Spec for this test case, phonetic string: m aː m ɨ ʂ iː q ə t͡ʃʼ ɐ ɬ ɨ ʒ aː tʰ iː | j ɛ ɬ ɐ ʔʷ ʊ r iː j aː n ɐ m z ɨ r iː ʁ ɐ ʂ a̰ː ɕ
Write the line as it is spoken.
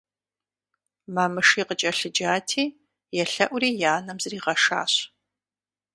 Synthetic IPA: m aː m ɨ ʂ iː q ə t͡ʃʼ ɐ ɬ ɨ d͡ʒ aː tʰ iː | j ɛ ɬ ɐ ʔʷ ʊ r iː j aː n ɐ m z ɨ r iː ʁ ɐ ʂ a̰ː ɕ